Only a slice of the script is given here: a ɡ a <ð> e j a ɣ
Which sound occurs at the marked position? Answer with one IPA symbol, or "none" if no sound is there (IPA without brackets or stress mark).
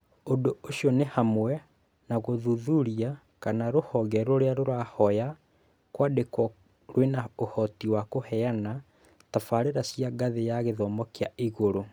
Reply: ð